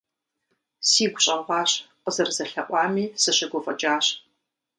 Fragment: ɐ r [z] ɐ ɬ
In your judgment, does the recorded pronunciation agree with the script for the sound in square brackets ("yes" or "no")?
yes